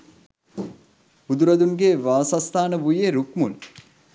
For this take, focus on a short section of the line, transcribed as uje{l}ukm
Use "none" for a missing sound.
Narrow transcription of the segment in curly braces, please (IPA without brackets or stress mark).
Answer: ɾ